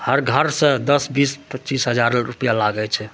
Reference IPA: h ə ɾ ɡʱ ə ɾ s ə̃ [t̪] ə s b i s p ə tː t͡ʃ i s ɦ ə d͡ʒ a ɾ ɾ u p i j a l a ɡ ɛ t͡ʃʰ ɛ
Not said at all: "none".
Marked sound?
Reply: d̪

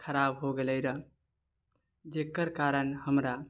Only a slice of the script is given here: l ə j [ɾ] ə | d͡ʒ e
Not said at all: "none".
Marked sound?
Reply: ɾ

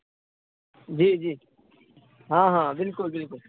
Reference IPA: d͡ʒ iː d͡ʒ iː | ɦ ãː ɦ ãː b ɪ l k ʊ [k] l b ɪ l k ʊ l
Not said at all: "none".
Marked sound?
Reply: none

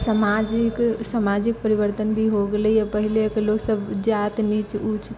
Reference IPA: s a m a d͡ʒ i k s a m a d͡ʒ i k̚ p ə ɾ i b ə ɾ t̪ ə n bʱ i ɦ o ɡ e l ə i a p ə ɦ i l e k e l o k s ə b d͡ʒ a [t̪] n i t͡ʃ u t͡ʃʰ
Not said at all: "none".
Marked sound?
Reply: t̪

